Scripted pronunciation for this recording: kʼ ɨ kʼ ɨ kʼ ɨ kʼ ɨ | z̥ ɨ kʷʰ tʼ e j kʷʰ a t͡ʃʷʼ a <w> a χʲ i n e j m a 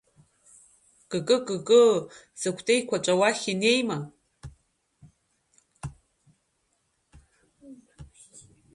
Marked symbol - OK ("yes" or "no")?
yes